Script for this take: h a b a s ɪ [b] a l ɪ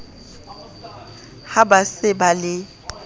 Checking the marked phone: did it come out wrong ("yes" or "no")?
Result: no